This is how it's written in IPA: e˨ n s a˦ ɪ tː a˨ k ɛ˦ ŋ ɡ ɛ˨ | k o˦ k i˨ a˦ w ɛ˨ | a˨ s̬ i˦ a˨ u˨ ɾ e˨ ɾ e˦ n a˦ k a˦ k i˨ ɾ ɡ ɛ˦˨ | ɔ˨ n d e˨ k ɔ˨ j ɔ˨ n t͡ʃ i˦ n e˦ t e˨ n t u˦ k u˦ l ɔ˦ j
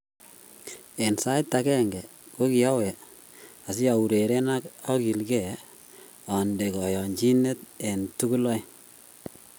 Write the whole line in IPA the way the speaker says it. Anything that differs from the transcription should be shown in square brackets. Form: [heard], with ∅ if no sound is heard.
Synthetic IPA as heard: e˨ n s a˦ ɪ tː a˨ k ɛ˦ ŋ ɡ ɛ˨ | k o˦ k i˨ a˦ w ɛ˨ | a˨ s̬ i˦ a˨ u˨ ɾ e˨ ɾ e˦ n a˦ k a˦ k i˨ [l] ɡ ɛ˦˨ | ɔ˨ n d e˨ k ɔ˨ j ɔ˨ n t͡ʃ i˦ n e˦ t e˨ n t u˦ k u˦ l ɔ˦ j